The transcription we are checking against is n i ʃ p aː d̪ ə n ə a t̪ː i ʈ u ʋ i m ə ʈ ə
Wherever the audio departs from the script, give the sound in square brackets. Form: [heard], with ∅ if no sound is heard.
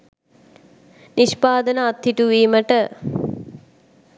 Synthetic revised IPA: n i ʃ p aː d̪ ə n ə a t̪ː i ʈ u ʋ [iː] m ə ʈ ə